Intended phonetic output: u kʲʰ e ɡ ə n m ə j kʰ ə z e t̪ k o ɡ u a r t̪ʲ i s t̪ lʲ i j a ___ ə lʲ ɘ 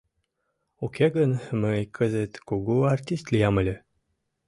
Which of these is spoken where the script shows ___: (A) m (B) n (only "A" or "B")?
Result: A